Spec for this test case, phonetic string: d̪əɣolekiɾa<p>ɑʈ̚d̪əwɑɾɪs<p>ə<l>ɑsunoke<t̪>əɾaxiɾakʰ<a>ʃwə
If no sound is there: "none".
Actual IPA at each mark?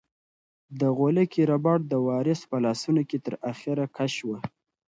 b, p, l, t̪, a

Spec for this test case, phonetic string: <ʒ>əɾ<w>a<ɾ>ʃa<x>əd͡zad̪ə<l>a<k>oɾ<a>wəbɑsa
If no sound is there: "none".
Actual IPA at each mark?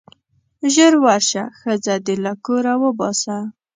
ʒ, w, ɾ, x, l, k, a

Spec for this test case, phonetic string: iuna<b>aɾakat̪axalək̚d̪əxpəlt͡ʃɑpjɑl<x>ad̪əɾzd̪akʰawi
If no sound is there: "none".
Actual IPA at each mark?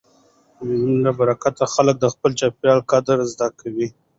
b, k

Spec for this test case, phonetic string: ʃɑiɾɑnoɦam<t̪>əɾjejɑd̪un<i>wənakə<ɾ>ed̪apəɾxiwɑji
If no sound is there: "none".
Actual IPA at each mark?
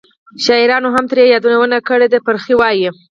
t̪, a, ɽ

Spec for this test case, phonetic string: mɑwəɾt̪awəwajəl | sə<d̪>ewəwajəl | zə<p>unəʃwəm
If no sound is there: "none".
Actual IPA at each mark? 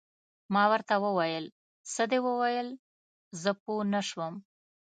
d̪, p

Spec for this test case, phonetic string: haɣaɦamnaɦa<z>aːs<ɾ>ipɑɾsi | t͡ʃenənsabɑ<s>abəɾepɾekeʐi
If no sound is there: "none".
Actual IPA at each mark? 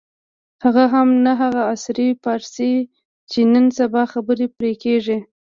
ɣ, ɾ, x

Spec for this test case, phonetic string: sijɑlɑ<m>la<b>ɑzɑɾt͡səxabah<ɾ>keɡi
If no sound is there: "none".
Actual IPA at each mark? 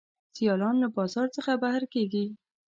n, b, ɾ

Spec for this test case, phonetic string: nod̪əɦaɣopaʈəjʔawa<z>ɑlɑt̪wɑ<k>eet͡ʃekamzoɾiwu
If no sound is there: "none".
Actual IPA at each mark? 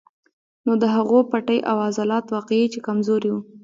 z, q

